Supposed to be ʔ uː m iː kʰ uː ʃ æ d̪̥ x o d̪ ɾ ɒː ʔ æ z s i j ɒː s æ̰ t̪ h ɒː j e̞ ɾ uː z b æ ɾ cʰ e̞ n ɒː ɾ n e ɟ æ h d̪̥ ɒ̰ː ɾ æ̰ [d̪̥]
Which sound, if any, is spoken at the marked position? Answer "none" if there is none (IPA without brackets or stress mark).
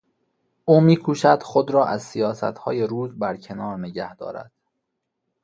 d̪̥